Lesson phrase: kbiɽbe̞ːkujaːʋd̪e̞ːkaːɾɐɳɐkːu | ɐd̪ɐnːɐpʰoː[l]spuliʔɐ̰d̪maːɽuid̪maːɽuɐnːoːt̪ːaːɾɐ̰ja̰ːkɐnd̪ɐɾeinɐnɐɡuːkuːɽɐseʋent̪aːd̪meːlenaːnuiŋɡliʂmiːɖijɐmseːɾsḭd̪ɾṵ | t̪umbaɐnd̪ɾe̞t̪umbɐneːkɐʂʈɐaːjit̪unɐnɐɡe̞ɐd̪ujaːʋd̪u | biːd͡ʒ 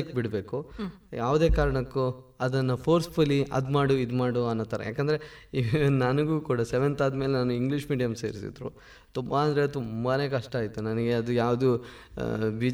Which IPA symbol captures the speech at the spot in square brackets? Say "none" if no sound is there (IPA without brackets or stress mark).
ɾ